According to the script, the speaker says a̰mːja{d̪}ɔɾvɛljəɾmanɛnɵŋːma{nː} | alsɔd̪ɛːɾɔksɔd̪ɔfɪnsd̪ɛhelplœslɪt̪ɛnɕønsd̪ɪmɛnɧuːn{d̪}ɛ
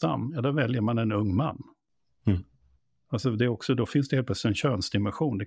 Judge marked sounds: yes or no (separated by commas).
yes, yes, yes